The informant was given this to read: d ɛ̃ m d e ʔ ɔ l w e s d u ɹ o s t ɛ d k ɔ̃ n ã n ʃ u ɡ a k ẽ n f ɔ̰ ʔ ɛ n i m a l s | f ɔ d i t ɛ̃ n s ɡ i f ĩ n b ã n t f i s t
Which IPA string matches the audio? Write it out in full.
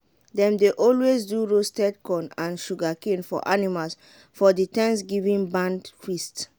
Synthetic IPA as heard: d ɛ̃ m d e ʔ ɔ l w e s d u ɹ o s t ɛ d k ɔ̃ n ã n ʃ u ɡ a k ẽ n f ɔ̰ ʔ a n i m a l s | f ɔ d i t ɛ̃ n s ɡ i v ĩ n b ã n d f i s t

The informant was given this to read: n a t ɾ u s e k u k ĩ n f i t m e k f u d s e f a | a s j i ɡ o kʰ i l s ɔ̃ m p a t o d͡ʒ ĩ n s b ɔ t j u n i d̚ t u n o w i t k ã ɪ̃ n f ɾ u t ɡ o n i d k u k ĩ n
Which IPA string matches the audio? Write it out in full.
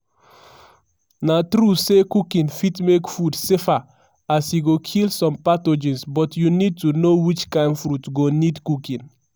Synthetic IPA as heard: n a t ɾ u s e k u k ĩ n f i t m e k f u d s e f a | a s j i ɡ o kʰ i l s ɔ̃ m p a t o d͡ʒ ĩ n s b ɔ t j u n i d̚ t u n o w i t͡ʃ k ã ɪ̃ n f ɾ u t ɡ o n i d k u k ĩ n

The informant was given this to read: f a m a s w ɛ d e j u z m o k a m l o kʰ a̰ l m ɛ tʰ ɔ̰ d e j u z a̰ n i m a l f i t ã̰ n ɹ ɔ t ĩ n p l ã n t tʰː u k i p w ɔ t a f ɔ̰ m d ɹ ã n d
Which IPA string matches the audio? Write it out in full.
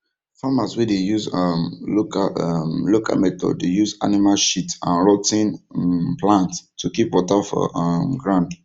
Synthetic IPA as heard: f a m a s w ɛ d e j u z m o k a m l o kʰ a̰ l m ɛ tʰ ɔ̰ d e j u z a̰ n i m a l ʃ i t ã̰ n ɹ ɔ t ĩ n p l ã n t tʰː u k i p w ɔ t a f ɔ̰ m ɡ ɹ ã n d

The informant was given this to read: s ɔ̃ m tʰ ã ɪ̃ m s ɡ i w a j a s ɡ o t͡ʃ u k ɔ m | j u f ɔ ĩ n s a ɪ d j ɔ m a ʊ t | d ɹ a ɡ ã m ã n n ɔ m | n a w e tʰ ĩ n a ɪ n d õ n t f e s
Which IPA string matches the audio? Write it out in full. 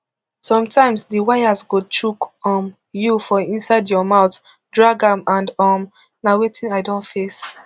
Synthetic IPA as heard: s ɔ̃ m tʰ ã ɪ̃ m s d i w a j a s ɡ o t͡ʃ u k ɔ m | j u f ɔ ĩ n s a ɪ d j ɔ m a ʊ t | d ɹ a ɡ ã m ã n d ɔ m | n a w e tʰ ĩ n a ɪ d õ n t f e s

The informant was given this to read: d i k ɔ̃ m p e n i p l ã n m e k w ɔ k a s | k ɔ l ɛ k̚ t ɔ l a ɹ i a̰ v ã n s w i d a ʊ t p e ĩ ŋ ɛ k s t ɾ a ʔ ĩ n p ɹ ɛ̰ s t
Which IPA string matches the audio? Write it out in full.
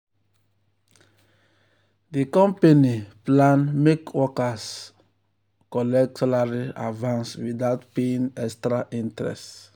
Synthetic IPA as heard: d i k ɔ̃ m p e n i p l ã n m e k w ɔ k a s | k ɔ l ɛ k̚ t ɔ l a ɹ i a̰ v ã n s w i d a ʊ t p e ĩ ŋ ɛ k s t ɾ a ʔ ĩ n t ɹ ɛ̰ s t

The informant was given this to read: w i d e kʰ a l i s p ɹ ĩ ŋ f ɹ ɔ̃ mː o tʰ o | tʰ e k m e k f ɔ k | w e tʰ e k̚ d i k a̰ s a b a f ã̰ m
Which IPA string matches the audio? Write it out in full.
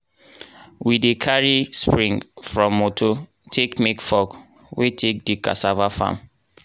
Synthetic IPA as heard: w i d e kʰ a ɹ i s p ɹ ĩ ŋ f ɹ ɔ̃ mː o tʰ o | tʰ e k m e k f ɔ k | w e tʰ e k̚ d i k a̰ s a v a f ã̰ m

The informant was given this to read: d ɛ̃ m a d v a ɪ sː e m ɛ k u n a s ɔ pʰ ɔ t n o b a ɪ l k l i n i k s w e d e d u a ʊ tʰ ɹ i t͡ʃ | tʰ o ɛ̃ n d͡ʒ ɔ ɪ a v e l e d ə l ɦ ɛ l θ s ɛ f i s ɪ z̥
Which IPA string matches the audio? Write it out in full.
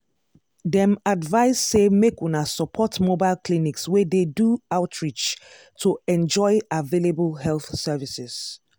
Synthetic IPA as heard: d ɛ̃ m a d v a ɪ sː e m e k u n a s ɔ pʰ ɔ t m o b a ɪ l k l i n i k s w e d e d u a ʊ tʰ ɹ i t͡ʃ | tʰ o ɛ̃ n d͡ʒ ɔ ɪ a v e l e b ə l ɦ ɛ l θ s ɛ v i s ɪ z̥

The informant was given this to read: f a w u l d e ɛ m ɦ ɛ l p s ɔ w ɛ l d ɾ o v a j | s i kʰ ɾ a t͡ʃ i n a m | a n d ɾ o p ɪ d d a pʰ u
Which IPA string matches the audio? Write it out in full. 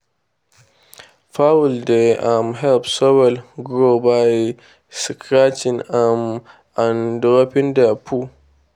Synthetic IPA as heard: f a w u l d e a m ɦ ɛ l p s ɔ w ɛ l ɡ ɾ o b a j | s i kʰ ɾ a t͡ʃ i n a m | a n d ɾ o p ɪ n d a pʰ u

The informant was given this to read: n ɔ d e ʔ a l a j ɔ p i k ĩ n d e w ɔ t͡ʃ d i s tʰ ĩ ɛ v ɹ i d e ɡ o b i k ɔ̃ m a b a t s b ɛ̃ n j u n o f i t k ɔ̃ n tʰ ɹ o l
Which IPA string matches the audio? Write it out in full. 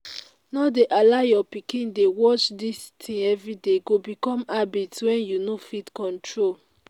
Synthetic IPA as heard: n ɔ d e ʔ a l a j ɔ p i k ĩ n d e w ɔ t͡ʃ d i s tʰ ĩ ɛ v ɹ i d e ɡ o b i k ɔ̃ m a b i t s w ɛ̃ n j u n o f i t k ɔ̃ n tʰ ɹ o l

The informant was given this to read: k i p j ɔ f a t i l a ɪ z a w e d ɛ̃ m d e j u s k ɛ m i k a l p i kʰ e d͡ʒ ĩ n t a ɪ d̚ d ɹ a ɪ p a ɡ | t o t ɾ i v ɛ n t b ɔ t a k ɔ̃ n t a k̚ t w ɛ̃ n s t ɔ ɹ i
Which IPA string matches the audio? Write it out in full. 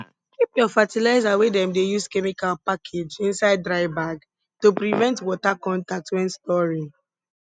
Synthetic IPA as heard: k i p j ɔ f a t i l a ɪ z a w e d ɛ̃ m d e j u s k ɛ m i k a l p a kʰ e d͡ʒ ĩ n s a ɪ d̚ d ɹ a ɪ b a ɡ | t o p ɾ i v ɛ̃ n t w ɔ t a k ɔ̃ n t a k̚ t w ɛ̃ n s t ɔ ɹ i

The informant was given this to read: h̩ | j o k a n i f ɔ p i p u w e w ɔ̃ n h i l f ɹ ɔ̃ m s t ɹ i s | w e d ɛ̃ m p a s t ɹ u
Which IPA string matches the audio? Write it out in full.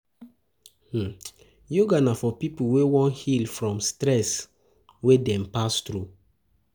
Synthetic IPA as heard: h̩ | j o ɡ a n a f ɔ p i p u w e w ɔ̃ n h i l f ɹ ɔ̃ m s t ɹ ɛ s | w e d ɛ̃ m p a s t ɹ u

